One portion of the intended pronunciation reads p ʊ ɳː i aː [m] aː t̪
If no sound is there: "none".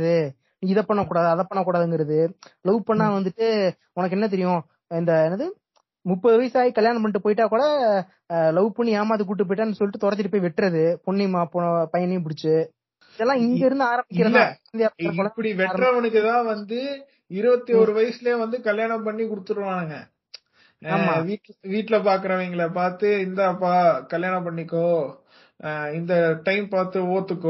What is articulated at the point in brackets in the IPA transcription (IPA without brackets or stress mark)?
m